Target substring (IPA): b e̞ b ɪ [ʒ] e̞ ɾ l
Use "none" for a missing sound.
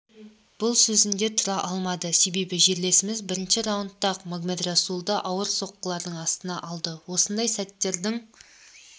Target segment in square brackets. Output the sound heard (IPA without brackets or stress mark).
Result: ʒ